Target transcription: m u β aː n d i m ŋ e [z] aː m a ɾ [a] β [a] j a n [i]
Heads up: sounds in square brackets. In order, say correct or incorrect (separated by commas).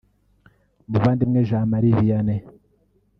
incorrect, incorrect, incorrect, incorrect